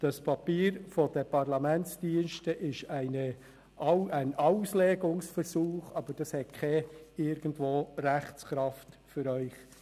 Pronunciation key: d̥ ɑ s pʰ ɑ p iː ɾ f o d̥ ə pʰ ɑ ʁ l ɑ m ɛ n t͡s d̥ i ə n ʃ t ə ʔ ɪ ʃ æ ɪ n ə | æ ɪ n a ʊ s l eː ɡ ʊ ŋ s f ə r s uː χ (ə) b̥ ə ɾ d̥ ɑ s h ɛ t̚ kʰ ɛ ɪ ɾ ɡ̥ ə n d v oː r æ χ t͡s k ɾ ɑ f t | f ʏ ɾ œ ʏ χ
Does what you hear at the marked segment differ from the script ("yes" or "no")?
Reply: yes